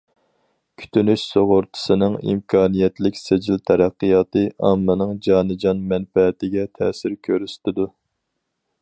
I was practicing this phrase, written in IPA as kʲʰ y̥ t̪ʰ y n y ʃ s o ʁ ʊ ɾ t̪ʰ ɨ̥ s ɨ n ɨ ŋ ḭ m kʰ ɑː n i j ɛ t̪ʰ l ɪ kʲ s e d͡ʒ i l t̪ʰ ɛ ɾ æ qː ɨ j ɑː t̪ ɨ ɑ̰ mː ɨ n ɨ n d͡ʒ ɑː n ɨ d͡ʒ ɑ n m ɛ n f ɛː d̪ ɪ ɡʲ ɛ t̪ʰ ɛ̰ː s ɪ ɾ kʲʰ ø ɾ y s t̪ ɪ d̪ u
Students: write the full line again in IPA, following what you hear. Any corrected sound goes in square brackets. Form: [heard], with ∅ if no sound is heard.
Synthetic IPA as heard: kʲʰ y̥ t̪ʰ y n y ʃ s o ʁ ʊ ɾ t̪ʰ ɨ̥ s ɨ n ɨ ŋ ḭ m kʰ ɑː n i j ɛ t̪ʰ l ɪ kʲ s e d͡ʒ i l t̪ʰ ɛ ɾ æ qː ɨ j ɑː t̪ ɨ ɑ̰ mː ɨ n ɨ [ŋ] d͡ʒ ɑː n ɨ d͡ʒ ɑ n m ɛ n f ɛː [t̪] ɪ ɡʲ ɛ t̪ʰ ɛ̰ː s ɪ ɾ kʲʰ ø ɾ y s t̪ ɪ d̪ u